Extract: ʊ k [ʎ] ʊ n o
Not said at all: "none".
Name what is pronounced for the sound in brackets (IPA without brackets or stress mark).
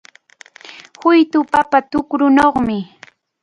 ɾ